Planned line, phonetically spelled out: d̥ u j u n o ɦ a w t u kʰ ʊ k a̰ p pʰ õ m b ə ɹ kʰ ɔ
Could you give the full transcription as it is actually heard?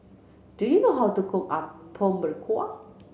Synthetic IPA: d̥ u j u n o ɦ a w t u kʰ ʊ k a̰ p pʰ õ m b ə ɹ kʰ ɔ